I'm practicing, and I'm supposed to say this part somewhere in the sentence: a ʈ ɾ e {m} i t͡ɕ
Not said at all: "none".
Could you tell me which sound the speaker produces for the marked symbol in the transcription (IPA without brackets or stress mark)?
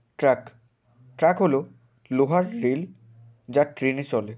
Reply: n